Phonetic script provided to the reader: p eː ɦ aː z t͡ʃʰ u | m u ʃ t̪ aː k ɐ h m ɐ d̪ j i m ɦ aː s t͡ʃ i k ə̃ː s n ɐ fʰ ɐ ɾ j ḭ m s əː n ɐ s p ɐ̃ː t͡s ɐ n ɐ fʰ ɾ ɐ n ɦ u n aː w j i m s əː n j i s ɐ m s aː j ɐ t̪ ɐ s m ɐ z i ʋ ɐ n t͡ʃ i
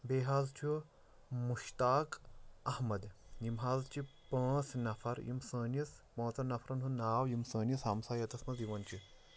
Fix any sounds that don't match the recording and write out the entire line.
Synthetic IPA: b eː ɦ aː z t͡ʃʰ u | m u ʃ t̪ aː k ɐ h m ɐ d̪ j i m ɦ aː z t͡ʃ i p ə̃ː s n ɐ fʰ ɐ ɾ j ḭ m s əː n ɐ s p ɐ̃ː t͡s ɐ n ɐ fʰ ɾ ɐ n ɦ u n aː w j i m s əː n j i s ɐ m s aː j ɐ t̪ ɐ s m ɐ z i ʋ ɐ n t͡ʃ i